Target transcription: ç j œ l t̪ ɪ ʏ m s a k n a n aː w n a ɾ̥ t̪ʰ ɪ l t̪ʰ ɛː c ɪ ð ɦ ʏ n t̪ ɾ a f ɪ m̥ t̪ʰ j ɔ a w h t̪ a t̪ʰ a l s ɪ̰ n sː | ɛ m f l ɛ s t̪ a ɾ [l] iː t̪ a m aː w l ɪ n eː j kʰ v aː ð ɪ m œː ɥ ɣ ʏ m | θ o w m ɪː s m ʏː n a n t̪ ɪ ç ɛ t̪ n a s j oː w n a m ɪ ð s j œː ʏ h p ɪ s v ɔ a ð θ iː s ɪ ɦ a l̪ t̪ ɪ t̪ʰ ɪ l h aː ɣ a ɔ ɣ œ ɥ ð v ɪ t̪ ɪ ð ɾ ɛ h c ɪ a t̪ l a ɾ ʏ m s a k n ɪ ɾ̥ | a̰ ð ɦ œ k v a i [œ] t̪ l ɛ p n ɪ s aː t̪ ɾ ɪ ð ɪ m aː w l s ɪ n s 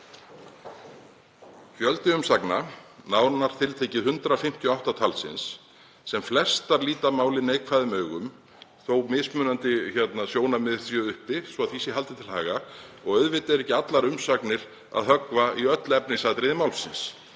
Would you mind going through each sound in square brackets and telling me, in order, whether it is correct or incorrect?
correct, correct

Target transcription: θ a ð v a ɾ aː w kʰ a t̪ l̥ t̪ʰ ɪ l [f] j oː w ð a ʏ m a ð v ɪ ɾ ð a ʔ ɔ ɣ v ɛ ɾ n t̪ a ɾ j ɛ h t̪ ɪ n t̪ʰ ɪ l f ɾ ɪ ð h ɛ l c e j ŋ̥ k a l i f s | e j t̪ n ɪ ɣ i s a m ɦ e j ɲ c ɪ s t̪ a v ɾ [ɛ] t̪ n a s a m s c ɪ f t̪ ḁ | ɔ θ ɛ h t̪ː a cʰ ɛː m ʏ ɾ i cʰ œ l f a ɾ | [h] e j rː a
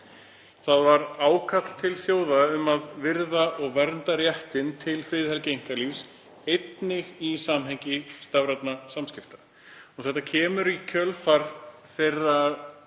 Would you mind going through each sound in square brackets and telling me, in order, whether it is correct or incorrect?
incorrect, incorrect, incorrect

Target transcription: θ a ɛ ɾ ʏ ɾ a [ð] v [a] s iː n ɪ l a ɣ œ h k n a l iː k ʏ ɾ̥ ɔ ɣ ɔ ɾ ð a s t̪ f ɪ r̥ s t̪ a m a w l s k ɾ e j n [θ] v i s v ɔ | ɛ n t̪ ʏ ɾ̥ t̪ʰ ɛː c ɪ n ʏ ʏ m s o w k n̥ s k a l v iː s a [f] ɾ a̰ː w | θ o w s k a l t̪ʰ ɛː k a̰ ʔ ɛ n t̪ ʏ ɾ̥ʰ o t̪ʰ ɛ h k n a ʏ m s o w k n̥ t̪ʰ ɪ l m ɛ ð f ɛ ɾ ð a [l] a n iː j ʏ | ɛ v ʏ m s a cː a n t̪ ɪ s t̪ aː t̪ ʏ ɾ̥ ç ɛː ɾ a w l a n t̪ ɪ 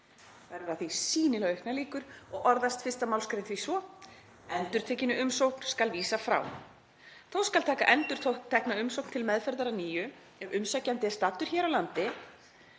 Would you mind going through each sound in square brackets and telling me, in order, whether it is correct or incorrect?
incorrect, incorrect, correct, correct, incorrect

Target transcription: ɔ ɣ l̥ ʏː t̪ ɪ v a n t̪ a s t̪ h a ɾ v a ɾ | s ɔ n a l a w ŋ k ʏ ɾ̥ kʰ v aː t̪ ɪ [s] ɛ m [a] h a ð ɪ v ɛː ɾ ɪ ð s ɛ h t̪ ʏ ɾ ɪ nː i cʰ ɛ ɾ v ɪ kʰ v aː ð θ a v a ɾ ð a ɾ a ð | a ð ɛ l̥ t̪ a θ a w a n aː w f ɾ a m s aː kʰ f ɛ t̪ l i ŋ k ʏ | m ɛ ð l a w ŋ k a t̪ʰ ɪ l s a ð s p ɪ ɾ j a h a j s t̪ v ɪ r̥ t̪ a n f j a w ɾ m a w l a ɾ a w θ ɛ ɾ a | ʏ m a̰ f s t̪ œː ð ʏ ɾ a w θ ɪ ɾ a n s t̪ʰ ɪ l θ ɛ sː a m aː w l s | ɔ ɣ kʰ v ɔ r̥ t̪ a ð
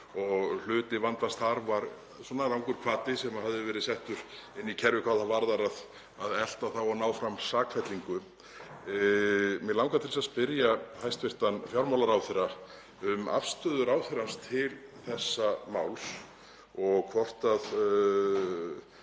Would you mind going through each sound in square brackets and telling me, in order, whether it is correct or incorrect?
correct, correct

